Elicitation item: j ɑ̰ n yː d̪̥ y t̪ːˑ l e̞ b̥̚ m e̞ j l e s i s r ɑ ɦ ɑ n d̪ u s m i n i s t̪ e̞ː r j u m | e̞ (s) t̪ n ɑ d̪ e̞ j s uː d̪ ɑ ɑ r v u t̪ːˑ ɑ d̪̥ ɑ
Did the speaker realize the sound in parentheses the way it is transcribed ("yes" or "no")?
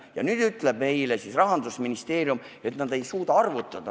no